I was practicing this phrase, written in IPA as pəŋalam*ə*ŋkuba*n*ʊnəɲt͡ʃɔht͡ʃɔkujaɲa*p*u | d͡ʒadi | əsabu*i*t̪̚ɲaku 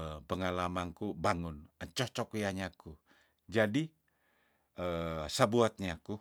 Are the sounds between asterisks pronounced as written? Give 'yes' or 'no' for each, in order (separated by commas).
no, no, no, no